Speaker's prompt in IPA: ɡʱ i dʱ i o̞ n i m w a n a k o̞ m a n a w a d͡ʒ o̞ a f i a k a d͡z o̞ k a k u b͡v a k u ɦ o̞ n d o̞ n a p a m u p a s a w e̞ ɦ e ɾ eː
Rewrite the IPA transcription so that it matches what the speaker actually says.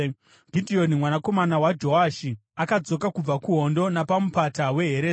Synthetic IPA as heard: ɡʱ i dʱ i o̞ n i m w a n a k o̞ m a n a w a d͡ʒ o̞ a ʃ i a k a d͡z o̞ k a k u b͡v a k u ɦ o̞ n d o̞ n a p a m u p a t a w e̞ ɦ e ɾ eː

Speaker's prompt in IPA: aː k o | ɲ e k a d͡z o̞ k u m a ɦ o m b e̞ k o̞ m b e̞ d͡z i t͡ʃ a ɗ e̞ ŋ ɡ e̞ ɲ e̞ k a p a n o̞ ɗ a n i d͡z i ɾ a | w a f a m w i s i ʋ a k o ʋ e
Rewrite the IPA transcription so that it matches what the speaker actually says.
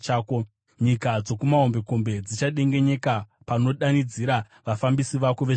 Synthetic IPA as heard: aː k o | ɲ i k a d͡z o̞ k u m a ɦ o m b e̞ k o̞ m b e̞ d͡z i t͡ʃ a ɗ e̞ ŋ ɡ e̞ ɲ e̞ k a p a n o̞ ɗ a n i d͡z i ɾ a | ʋ a f a m b i s i ʋ a k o ʋ e

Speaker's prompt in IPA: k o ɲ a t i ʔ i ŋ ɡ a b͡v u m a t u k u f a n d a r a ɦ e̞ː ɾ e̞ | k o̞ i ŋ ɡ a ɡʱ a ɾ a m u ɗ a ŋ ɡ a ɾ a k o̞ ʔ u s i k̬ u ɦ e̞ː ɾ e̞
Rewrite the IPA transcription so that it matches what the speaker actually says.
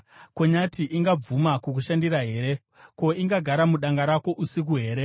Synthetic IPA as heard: k o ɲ a t i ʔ i ŋ ɡ a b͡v u m a k u k u ʃ a n d i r a ɦ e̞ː ɾ e̞ | k o̞ i ŋ ɡ a ɡʱ a ɾ a m u ɗ a ŋ ɡ a ɾ a k o̞ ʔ u s i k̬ u ɦ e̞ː ɾ e̞

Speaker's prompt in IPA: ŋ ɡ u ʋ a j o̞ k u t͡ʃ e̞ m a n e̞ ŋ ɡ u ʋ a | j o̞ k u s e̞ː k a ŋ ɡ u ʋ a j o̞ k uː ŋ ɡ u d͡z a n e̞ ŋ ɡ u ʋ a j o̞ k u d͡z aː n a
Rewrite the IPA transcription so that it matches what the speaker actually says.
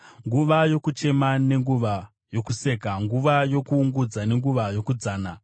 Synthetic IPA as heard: ŋ ɡ u ʋ a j o̞ k u t͡ʃ e̞ m a n e̞ ŋ ɡ u ʋ a | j o̞ k u s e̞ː k a ŋ ɡ u ʋ a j o̞ k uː ŋ ɡ u d͡z a n e̞ ŋ ɡ u ʋ a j o̞ k u d͡z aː n a

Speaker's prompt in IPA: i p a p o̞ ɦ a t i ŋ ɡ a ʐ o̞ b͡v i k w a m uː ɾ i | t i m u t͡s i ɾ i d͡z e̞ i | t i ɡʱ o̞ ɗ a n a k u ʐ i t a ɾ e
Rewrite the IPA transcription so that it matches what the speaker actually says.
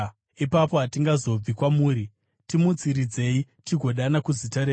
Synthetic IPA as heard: i p a p o̞ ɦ a t i ŋ ɡ a z o̞ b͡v i k w a m uː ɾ i | t i m u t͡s i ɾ i d͡z e̞ i | t i ɡʱ o̞ ɗ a n a k u z i t a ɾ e

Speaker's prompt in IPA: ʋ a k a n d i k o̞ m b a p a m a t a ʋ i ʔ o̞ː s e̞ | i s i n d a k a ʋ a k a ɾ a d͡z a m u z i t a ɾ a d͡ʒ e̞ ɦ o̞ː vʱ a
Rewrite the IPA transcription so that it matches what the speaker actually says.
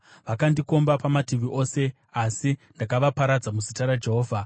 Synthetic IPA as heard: ʋ a k a n d i k o̞ m b a p a m a t i ʋ i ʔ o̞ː s e̞ | a s i n d a k a ʋ a p a ɾ a d͡z a m u z i t a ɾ a d͡ʒ e̞ ɦ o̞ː vʱ a

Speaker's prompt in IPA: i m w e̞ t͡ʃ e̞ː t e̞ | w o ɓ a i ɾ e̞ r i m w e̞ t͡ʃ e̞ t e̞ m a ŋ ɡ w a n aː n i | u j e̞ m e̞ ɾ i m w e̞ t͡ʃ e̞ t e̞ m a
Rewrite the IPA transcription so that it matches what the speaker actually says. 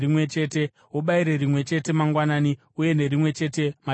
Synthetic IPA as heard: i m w e̞ t͡ʃ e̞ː t e̞ | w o ɓ a i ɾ e̞ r i m w e̞ t͡ʃ e̞ t e̞ m a ŋ ɡ w a n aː n i | u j e̞ n e̞ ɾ i m w e̞ t͡ʃ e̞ t e̞ m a

